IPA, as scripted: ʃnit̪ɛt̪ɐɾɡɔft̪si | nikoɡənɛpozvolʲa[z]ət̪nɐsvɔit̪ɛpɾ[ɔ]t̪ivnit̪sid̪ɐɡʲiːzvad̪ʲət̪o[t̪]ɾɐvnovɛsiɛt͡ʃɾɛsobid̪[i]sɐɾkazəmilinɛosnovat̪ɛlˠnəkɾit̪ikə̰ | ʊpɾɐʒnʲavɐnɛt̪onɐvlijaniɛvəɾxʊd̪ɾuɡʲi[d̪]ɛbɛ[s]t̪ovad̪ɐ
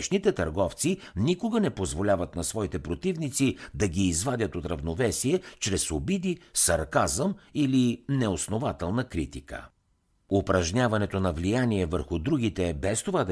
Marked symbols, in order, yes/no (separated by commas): no, no, yes, yes, no, yes